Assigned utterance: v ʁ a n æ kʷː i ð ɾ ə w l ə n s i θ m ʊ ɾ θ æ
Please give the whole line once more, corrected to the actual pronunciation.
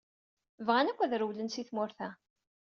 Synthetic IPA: v ʁ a n æ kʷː æ ð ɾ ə w l ə n s i θ m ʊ ɾ θ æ

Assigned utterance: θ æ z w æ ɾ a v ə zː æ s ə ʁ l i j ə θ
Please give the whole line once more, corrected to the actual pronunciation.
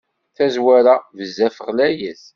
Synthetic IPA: θ æ z w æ ɾ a v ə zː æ f ə ʁ l æ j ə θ

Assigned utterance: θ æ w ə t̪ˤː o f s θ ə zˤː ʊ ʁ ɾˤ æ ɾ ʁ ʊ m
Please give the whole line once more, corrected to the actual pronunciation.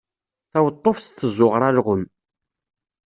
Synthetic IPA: θ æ w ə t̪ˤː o f s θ ə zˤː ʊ ʁ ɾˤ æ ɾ ʁ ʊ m

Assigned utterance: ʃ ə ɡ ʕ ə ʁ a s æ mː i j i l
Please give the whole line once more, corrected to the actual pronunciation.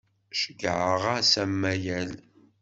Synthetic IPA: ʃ ə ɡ ʕ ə ʁ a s æ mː æ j æ l

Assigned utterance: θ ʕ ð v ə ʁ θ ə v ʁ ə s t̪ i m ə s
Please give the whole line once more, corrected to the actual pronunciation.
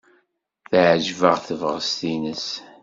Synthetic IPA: θ ʕ ʒ v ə ʁ θ ə v ʁ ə s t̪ i n ə s

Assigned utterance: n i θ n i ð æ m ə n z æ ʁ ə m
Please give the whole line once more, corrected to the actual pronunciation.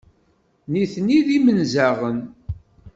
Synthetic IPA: n i θ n i ð i m ə n z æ ʁ ə n

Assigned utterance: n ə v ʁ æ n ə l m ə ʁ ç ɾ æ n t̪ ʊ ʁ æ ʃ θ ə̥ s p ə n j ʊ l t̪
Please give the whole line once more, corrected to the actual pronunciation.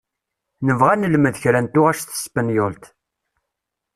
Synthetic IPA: n ə v ʁ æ n ə l m ə ð ç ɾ æ n t̪ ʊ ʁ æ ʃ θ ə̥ s p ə n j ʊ l t̪

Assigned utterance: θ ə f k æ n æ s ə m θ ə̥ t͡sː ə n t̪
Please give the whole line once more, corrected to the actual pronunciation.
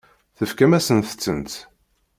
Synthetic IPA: θ ə f k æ m æ s ə n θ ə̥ t͡sː ə n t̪

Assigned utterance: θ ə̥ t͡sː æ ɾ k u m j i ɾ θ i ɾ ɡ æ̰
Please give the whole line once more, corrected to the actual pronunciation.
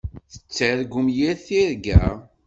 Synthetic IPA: θ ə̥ t͡sː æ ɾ ɡ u m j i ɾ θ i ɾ ɡ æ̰

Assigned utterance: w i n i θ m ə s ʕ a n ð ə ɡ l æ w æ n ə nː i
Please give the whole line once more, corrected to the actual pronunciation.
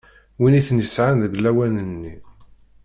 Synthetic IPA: w i n i θ n ə s ʕ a n ð ə ɡ l æ w æ n ə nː i

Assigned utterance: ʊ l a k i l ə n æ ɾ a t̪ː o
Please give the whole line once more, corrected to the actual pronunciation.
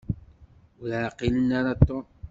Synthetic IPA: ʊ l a q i l ə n a ɾ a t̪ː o

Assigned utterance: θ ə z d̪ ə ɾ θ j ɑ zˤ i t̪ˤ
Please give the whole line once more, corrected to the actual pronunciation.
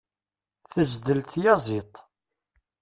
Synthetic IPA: θ ə z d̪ ə l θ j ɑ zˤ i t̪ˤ

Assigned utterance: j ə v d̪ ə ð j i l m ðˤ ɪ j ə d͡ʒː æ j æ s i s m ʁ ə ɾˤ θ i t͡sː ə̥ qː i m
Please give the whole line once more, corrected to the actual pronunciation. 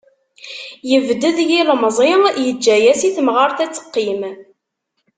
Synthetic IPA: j ə v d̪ ə ð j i l m zˤ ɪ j ə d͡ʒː æ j æ s i θ m ʁ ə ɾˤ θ æ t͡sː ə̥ qː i m

